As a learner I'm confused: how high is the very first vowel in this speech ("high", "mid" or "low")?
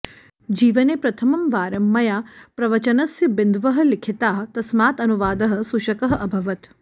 high